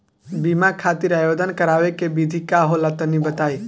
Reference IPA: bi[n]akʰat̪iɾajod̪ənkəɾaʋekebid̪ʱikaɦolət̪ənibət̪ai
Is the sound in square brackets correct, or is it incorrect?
incorrect